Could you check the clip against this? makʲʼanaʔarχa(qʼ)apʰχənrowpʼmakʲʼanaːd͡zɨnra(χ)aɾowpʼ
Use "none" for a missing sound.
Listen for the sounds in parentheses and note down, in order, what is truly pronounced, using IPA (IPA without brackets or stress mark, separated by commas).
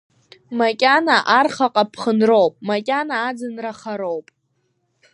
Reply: qʼ, χ